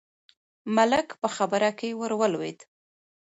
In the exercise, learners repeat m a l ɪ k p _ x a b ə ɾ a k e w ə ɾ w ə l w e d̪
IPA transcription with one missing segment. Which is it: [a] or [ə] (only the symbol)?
ə